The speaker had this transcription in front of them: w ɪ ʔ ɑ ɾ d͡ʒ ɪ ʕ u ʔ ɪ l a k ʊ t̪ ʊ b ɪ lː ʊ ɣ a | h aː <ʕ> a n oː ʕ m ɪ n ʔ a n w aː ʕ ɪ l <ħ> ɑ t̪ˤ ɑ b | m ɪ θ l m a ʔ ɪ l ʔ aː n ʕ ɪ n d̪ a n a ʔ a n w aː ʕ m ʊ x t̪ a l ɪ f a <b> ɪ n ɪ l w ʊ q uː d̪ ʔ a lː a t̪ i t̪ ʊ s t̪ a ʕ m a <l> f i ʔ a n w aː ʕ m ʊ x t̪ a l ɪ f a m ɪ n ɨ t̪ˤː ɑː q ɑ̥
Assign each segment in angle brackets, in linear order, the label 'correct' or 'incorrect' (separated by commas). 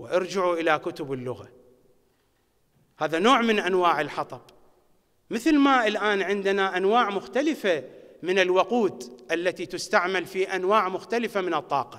incorrect, correct, incorrect, correct